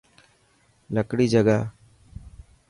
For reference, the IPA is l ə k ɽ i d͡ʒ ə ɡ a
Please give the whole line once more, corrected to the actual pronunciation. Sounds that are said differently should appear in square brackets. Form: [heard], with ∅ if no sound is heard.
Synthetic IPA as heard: l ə k ɽ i d͡ʒ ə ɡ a